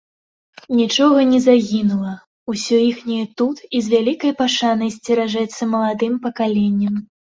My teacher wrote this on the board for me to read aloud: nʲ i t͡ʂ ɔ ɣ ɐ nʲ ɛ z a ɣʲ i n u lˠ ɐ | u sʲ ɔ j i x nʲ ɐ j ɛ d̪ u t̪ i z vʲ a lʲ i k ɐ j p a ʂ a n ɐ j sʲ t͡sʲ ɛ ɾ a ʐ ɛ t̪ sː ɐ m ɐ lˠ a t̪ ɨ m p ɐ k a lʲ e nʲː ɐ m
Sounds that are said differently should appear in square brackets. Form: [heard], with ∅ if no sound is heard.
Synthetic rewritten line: nʲ i t͡ʂ ɔ ɣ ɐ nʲ ɛ z a ɣʲ i n u lˠ ɐ | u sʲ ɔ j i x nʲ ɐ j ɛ [t̪] u t̪ i z vʲ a lʲ i k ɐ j p a ʂ a n ɐ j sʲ t͡sʲ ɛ ɾ a ʐ ɛ t̪ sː ɐ m ɐ lˠ a [d̪] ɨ m p ɐ k a lʲ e nʲː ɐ m